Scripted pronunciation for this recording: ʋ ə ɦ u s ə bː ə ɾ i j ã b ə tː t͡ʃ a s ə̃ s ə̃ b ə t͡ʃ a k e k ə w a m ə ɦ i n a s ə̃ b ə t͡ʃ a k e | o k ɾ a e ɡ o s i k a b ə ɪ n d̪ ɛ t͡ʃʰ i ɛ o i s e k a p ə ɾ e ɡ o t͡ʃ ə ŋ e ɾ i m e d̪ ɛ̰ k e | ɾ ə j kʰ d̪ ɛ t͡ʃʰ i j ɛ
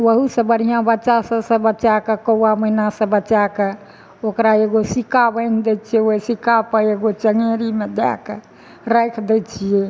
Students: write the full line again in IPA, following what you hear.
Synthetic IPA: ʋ ə ɦ u s ə b ə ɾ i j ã b ə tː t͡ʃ a s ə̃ s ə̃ b ə t͡ʃ a k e k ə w a m ə ɦ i n a s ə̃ b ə t͡ʃ a k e | o k ɾ a e ɡ o s i k a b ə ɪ n d̪ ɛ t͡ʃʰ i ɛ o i s i k a p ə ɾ e ɡ o t͡ʃ ə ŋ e ɾ i m e d̪ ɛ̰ k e | ɾ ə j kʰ d̪ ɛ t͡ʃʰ i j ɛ